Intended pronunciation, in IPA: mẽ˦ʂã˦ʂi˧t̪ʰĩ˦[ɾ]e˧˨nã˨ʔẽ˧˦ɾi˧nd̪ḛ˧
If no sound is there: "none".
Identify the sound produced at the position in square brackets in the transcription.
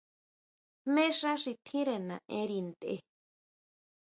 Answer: ɾ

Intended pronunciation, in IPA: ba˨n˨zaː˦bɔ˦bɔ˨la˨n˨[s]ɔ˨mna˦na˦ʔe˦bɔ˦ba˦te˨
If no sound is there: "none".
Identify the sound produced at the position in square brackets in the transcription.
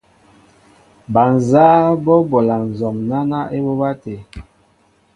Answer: z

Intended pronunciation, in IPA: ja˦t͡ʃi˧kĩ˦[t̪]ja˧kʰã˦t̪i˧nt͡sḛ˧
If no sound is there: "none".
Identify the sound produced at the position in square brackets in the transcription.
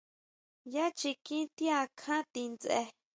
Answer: t̪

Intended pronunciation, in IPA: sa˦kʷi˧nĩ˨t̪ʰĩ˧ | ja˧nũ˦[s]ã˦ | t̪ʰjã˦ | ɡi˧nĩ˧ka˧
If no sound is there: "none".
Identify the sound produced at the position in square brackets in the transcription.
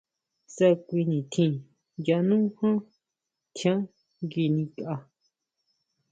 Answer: h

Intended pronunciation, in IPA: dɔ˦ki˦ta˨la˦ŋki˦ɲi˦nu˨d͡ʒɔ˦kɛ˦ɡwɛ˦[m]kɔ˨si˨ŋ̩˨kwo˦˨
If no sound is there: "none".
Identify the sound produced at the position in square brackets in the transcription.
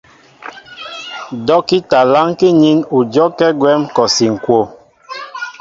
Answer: m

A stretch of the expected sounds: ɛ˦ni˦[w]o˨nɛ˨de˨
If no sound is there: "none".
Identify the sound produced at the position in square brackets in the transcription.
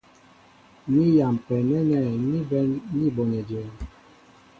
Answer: b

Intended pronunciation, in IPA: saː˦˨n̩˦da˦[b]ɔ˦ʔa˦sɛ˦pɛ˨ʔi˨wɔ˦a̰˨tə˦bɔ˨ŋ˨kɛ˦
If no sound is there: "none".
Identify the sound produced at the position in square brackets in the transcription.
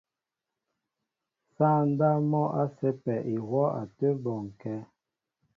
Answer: m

